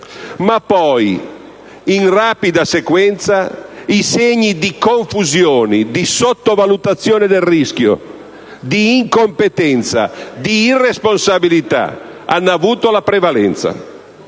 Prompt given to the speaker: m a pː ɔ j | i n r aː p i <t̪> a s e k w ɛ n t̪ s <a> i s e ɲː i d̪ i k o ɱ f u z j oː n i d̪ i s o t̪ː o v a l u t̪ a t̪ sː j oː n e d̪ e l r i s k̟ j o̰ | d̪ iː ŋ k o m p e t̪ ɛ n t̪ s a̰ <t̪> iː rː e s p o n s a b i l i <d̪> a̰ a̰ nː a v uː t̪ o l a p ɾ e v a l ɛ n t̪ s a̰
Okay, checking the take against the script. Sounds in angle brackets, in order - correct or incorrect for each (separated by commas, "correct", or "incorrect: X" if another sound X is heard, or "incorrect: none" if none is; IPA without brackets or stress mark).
incorrect: d̪, correct, incorrect: d̪, incorrect: t̪